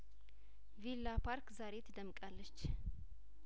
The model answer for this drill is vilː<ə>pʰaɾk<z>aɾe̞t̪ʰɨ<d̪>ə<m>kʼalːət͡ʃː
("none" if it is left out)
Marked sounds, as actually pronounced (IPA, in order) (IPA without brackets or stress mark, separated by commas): a, z, d̪, m